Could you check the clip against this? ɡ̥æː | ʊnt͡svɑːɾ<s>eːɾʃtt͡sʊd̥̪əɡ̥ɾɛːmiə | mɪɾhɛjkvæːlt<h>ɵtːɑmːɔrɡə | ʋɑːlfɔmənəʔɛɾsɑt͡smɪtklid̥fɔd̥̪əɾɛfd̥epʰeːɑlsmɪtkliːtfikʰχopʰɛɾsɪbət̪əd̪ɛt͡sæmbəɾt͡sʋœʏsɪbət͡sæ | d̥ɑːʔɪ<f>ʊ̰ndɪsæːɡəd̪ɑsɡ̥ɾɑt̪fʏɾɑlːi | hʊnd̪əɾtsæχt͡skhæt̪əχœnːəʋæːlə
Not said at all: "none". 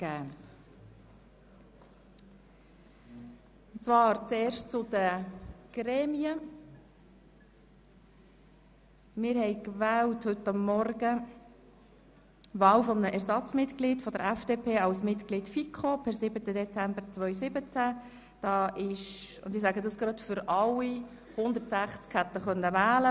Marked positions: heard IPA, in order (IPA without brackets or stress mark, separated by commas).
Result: t͡s, h, ʃ